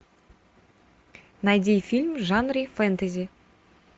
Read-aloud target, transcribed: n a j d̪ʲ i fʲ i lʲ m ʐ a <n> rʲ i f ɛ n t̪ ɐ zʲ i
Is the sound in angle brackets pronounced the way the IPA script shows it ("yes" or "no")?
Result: yes